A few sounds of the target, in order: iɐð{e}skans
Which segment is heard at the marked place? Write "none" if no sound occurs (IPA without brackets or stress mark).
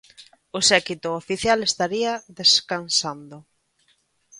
e